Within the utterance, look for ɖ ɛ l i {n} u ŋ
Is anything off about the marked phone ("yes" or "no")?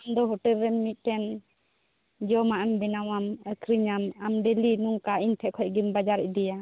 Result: no